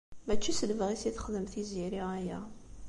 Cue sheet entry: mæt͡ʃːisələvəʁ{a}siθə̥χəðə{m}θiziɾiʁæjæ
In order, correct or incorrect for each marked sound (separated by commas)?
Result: incorrect, correct